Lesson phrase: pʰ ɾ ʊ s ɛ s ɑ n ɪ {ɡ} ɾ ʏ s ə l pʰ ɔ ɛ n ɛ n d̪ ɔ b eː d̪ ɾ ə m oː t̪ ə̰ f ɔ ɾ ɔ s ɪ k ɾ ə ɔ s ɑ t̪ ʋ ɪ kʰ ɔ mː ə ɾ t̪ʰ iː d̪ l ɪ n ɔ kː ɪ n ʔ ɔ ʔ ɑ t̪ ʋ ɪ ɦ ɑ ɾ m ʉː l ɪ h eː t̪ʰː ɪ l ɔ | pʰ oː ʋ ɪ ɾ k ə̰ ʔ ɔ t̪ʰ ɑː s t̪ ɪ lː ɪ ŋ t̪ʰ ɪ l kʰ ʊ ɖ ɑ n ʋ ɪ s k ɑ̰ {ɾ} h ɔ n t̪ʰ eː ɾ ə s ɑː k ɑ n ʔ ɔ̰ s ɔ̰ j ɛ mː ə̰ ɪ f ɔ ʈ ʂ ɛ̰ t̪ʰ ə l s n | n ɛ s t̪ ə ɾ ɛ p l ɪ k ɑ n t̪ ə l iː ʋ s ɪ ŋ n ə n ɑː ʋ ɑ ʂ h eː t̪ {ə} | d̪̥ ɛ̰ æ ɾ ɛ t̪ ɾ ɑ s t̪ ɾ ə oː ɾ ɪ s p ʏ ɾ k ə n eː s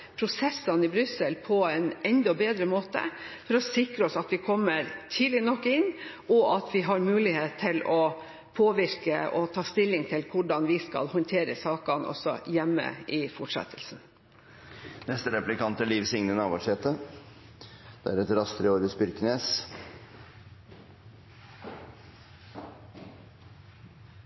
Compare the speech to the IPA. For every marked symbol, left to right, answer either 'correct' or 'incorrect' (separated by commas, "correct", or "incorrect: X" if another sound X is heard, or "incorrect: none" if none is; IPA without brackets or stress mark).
incorrect: b, incorrect: l, correct